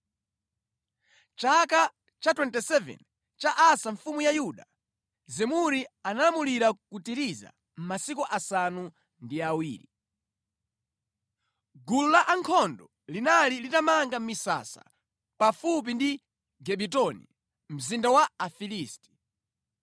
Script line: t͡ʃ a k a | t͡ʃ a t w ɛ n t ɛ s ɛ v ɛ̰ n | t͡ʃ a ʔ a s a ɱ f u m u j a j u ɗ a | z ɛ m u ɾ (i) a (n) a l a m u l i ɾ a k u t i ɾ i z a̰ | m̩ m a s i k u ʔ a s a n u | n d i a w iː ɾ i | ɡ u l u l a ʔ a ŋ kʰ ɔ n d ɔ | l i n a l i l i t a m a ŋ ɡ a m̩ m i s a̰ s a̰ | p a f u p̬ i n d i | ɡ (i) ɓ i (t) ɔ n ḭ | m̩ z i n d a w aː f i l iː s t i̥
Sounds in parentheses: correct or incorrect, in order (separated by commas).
correct, correct, incorrect, correct